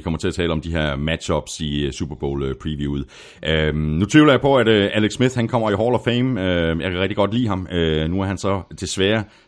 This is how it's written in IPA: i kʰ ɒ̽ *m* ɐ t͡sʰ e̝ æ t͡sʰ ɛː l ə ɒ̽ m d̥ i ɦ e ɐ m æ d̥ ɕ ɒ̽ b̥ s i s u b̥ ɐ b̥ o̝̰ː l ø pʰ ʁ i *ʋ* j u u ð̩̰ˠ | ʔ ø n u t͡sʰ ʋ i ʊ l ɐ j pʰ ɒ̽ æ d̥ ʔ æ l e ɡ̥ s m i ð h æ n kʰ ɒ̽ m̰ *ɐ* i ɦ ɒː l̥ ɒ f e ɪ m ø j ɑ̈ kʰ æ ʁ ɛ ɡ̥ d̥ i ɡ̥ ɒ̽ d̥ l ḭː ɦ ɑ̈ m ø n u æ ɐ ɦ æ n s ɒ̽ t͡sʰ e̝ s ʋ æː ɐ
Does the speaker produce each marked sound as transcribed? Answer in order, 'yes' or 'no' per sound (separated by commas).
yes, yes, yes